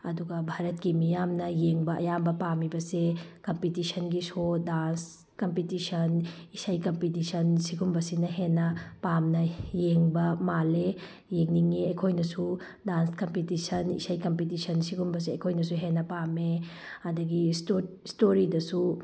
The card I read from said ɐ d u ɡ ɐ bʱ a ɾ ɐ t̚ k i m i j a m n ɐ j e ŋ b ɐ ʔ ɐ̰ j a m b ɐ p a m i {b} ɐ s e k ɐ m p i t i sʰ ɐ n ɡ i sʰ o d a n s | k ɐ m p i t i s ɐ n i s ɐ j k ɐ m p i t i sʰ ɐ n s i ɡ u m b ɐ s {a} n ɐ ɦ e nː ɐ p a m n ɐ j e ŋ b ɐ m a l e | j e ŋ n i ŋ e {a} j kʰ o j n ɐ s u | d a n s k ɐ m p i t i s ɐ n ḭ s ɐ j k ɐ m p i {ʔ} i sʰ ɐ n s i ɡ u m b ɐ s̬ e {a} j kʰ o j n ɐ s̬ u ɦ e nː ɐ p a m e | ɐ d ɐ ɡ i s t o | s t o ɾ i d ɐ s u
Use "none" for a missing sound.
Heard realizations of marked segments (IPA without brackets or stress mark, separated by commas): b, i, ɐ, t, ɐ